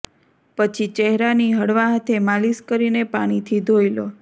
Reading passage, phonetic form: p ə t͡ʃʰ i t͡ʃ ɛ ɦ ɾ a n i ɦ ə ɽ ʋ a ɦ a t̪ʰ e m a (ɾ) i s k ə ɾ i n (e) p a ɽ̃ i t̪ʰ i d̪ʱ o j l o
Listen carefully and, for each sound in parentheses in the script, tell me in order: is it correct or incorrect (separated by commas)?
incorrect, correct